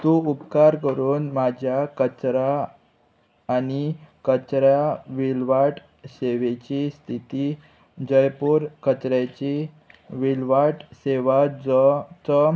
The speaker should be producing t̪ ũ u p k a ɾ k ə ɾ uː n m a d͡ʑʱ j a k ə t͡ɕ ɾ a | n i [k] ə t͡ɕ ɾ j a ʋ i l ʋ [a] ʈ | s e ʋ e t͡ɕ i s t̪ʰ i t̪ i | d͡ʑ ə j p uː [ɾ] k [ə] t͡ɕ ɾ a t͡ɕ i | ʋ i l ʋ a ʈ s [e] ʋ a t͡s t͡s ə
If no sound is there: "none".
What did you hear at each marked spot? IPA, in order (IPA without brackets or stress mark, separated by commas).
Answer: k, a, ɾ, ə, e